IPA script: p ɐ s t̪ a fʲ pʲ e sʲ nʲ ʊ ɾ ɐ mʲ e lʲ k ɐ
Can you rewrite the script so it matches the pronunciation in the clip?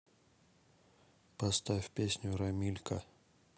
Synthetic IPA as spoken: p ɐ s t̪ a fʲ pʲ e sʲ nʲ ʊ ɾ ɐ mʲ i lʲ k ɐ